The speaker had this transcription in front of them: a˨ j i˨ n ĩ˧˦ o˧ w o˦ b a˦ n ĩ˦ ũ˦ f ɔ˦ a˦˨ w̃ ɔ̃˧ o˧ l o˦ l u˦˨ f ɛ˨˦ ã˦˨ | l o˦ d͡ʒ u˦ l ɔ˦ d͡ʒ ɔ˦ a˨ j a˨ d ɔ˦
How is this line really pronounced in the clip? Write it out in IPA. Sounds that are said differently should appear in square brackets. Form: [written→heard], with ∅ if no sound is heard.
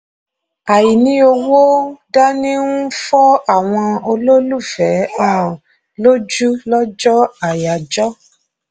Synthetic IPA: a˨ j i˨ n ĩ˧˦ o˧ w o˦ [b→d] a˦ n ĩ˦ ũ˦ f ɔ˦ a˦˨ w̃ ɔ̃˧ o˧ l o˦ l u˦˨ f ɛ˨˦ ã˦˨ | l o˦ d͡ʒ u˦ l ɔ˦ d͡ʒ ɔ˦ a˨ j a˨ [d→d͡ʒ] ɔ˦